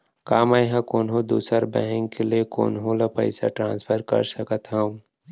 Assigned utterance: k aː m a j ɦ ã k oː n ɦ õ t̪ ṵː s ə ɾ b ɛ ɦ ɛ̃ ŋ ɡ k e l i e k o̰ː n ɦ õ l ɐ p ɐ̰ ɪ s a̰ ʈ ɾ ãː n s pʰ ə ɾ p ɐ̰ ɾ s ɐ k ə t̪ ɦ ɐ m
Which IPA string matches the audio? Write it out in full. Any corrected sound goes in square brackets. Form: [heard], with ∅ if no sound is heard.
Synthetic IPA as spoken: k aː m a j ɦ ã k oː n ɦ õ [d̪] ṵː s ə ɾ b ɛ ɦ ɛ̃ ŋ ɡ k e l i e k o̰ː n ɦ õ l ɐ p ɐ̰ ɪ s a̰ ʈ ɾ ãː n s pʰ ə ɾ [k] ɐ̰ ɾ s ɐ k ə t̪ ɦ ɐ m

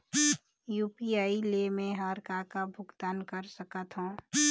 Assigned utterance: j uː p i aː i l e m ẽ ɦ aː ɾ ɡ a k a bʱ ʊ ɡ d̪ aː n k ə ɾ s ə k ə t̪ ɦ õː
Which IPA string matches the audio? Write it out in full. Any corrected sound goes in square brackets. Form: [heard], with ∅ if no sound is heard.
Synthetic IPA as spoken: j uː p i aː i l e m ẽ ɦ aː ɾ [k] a k a bʱ ʊ ɡ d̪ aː n k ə ɾ s ə k ə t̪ ɦ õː

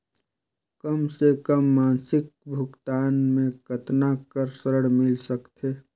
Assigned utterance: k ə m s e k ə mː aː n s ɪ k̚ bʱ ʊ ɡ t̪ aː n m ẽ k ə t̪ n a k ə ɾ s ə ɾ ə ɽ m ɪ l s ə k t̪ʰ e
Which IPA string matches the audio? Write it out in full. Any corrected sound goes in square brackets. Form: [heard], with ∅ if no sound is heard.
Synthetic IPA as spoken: k ə m s e k ə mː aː n s ɪ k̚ bʱ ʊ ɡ t̪ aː n m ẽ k ə t̪ n a k ə ɾ s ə ɾ ə ɽ m ɪ l s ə k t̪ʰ e

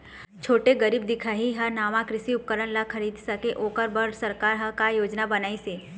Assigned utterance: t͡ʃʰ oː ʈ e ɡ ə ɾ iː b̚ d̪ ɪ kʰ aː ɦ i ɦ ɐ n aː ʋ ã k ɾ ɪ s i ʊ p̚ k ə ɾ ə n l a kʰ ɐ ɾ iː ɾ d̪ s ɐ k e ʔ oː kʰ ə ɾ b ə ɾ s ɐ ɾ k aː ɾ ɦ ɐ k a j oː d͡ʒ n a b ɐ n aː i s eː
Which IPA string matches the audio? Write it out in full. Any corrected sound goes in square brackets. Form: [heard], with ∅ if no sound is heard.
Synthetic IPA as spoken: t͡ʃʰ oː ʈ e ɡ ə ɾ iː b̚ d̪ ɪ kʰ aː ɦ i ɦ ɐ n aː ʋ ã k ɾ ɪ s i ʊ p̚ k ə ɾ ə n l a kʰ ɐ ɾ iː [∅] d̪ s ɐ k e ʔ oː [k] ə ɾ b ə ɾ s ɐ ɾ k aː ɾ ɦ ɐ k a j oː d͡ʒ n a b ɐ n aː i s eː

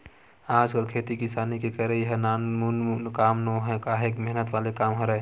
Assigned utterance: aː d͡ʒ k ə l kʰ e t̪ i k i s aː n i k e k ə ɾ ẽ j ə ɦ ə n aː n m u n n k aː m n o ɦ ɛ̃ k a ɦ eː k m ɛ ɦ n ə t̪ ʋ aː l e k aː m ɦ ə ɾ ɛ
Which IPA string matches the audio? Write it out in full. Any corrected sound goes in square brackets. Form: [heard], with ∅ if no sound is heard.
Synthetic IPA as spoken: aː d͡ʒ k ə l kʰ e t̪ i k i s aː n i k e k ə ɾ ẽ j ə ɦ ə n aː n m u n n k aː m n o ɦ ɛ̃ k a ɦ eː k m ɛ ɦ n ə t̪ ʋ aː l e k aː m ɦ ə ɾ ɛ

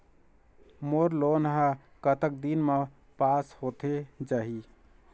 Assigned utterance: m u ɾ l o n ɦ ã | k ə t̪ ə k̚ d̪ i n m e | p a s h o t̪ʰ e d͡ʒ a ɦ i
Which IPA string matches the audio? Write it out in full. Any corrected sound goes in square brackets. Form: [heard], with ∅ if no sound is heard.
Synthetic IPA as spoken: m [o] ɾ l o n ɦ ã | k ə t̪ ə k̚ d̪ i n m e | p a s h o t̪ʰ e d͡ʒ a ɦ i

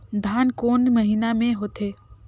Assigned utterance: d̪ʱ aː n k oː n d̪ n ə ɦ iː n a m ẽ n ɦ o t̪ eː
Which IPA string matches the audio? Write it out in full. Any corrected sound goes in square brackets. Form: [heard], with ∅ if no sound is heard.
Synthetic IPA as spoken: d̪ʱ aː n k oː n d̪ [m] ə ɦ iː n a m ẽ [∅] ɦ o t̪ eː

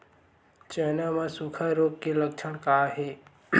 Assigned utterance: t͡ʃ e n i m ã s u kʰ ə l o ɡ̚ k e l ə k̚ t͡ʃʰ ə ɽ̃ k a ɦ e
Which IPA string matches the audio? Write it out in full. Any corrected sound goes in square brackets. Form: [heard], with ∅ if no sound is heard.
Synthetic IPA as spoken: t͡ʃ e n [a] m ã s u kʰ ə [ɾ] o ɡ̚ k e l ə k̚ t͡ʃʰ ə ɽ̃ k a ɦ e

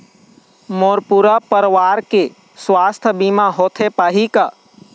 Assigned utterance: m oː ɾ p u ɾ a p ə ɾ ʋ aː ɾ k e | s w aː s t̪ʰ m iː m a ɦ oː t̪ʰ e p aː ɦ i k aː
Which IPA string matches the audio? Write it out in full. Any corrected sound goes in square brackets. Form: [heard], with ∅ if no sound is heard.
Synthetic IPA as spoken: m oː ɾ p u ɾ a p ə ɾ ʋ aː ɾ k e | s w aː s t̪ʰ [b] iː m a ɦ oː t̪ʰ e p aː ɦ i k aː

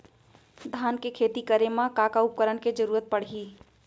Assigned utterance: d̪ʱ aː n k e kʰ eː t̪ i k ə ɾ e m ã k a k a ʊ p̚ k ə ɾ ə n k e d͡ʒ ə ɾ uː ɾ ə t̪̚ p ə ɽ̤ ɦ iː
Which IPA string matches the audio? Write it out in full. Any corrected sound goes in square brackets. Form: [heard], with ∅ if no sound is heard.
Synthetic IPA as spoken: d̪ʱ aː n k e kʰ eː t̪ i k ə ɾ e m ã k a k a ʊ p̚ k ə ɾ ə n k e d͡ʒ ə ɾ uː ɾ ə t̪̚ p ə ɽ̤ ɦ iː

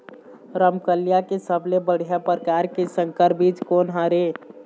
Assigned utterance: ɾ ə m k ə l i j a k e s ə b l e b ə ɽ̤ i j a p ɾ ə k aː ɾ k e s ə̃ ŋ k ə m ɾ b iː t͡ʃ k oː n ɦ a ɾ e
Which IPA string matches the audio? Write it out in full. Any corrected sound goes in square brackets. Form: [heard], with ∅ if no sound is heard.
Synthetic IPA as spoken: ɾ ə m k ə l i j a k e s ə b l e b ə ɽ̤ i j a p ɾ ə k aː ɾ k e s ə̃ ŋ k ə [∅] ɾ b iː t͡ʃ k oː n ɦ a ɾ e

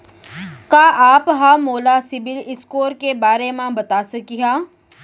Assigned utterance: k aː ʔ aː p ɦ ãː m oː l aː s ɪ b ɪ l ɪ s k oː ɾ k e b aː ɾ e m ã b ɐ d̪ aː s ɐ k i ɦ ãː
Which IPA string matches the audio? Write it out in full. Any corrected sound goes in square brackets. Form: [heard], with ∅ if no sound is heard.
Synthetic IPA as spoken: k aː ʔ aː p ɦ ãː m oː l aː s ɪ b ɪ l ɪ s k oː ɾ k e b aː ɾ e m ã b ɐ [t̪] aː s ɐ k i ɦ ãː

